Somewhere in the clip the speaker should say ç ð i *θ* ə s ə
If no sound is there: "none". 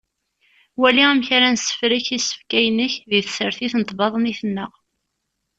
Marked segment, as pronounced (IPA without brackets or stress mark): θ